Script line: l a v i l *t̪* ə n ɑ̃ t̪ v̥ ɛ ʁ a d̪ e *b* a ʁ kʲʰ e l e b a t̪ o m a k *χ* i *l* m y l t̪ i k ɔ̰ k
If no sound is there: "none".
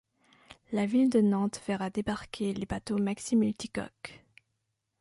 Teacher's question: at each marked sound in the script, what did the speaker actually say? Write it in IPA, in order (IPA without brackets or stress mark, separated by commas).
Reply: d̪, b, s, none